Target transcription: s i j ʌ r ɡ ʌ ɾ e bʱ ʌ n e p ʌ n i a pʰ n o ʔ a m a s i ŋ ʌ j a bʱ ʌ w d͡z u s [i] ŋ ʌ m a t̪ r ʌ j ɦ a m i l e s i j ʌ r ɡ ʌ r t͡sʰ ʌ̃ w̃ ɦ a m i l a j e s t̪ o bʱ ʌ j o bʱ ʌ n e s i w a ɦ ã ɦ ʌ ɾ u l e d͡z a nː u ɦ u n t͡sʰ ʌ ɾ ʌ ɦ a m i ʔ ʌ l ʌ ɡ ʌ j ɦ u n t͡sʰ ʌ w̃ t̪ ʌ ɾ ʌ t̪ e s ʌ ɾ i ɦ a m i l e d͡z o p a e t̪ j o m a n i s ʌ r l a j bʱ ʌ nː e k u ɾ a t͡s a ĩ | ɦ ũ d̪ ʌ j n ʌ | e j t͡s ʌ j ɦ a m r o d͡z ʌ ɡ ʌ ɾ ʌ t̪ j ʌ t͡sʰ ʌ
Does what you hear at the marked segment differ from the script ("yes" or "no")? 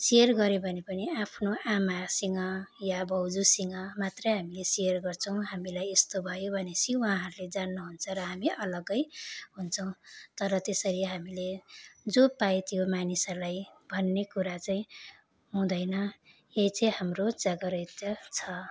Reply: no